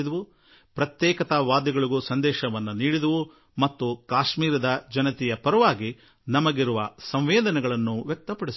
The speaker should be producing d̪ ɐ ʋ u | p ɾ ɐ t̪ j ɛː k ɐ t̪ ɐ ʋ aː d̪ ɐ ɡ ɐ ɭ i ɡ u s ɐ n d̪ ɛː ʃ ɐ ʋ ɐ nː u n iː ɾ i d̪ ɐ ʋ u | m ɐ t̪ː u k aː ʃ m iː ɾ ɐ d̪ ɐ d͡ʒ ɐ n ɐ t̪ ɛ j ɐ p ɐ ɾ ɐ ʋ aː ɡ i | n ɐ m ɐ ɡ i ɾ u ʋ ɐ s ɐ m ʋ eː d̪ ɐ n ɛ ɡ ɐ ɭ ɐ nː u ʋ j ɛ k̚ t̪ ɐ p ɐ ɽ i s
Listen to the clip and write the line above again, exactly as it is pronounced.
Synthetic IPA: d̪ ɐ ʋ u | p ɾ ɐ t̪ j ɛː k ɐ t̪ ɐ ʋ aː d̪ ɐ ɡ ɐ ɭ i ɡ u s ɐ n d̪ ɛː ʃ ɐ ʋ ɐ nː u n iː ɽ i d̪ ɐ ʋ u | m ɐ t̪ː u k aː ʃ m iː ɾ ɐ d̪ ɐ d͡ʒ ɐ n ɐ t̪ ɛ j ɐ p ɐ ɾ ɐ ʋ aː ɡ i | n ɐ m ɐ ɡ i ɾ u ʋ ɐ s ɐ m ʋ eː d̪ ɐ n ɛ ɡ ɐ ɭ ɐ nː u ʋ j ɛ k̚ t̪ ɐ p ɐ ɽ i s